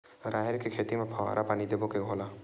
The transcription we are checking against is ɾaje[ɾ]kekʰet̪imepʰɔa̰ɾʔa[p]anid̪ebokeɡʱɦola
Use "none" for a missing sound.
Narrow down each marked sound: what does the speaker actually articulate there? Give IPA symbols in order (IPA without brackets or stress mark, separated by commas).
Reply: ɾ, p